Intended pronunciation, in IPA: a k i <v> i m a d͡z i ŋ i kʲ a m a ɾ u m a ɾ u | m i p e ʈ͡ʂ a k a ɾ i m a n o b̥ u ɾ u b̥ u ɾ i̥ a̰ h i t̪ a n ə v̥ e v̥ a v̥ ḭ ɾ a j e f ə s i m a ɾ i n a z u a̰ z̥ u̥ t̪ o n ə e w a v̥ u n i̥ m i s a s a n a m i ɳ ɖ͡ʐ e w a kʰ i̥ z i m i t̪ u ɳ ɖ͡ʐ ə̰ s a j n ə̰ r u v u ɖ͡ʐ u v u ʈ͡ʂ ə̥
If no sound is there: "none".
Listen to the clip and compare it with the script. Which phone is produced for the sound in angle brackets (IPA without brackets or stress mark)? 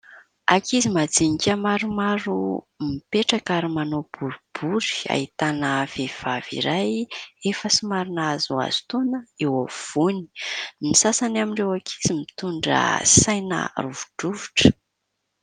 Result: z